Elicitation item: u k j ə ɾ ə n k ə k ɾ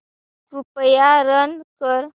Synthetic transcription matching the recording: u p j a ɾ ə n k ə ɾ